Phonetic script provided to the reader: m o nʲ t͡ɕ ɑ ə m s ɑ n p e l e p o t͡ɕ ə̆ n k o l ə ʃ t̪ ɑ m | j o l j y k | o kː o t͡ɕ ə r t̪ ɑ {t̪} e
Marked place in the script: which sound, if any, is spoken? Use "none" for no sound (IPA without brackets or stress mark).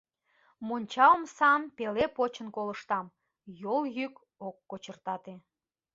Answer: t̪